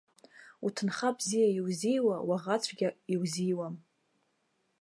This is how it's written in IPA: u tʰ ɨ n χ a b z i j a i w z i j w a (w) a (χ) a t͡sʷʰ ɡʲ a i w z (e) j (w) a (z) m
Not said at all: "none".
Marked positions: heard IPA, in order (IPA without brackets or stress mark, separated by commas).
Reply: w, ʁ, i, w, none